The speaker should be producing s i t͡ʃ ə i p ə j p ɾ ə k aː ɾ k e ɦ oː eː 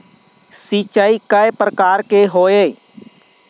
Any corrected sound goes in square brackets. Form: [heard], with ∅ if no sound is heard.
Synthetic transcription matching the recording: s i t͡ʃ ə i [k] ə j p ɾ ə k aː ɾ k e ɦ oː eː